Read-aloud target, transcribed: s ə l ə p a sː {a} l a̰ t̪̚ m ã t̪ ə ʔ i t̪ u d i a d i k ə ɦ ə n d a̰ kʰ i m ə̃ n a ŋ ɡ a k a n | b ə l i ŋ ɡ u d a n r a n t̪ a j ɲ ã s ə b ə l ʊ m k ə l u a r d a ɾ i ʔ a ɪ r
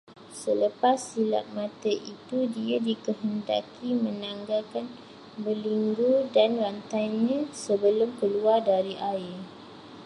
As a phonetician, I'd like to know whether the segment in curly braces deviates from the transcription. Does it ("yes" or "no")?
yes